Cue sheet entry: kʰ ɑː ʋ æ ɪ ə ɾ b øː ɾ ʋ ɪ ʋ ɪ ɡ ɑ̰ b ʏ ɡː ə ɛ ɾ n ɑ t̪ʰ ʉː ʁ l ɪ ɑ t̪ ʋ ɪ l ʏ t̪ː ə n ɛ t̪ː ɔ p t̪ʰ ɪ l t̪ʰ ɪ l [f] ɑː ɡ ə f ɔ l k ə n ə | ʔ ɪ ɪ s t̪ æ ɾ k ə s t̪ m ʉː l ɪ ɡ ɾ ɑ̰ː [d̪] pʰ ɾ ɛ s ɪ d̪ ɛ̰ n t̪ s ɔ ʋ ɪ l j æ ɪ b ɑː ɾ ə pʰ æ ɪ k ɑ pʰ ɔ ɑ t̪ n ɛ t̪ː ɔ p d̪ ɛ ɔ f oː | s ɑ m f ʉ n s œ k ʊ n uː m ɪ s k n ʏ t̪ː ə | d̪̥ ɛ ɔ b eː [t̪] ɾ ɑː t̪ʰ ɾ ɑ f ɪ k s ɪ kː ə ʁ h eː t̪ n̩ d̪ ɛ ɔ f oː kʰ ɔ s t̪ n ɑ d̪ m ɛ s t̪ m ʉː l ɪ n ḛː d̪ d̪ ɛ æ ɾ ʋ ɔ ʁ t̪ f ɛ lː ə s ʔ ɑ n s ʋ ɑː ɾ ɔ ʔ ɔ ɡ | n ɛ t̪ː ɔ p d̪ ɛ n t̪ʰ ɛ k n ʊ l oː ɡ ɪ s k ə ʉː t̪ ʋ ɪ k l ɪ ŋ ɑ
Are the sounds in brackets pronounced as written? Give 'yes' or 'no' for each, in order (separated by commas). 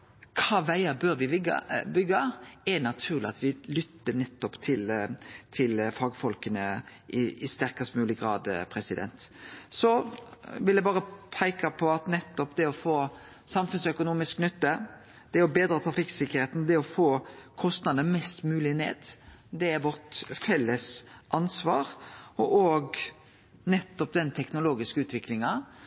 yes, yes, no